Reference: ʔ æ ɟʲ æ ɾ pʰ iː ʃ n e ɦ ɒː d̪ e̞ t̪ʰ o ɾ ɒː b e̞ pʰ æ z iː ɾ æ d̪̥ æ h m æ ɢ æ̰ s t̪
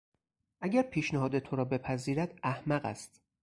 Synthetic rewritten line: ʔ æ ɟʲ æ ɾ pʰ iː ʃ n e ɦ ɒː d̪ e̞ t̪ʰ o ɾ ɒː b e̞ pʰ æ z iː ɾ æ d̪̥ æ h m æ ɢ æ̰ s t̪